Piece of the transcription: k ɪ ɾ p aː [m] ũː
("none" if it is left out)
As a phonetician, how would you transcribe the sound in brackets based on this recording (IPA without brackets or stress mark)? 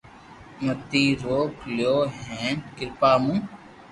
m